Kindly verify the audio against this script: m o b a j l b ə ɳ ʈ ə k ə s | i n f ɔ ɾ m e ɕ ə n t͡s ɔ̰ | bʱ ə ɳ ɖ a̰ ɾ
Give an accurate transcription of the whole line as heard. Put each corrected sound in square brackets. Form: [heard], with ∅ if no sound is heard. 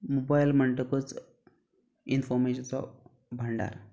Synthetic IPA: m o b a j l [m] ə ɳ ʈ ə k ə [t͡s] | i n f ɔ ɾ m e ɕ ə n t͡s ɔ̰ | bʱ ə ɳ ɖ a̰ ɾ